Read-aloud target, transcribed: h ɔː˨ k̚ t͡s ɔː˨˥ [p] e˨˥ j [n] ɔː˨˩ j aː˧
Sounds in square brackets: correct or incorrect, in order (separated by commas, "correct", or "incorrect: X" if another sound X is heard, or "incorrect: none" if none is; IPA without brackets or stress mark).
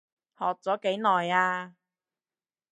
incorrect: k, correct